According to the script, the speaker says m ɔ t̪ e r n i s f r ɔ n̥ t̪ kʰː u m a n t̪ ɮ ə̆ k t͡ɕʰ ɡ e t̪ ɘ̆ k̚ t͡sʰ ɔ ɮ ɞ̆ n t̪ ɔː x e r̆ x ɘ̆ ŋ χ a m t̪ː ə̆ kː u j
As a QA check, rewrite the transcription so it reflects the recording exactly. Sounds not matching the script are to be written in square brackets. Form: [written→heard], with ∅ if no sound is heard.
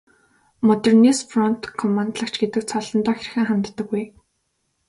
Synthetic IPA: m ɔ t̪ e r n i s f r ɔ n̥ t̪ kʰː [u→ɔ] m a n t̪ ɮ ə̆ k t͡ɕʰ ɡ e t̪ ɘ̆ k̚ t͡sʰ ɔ ɮ ɞ̆ n t̪ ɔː x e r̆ x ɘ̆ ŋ χ a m t̪ː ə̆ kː u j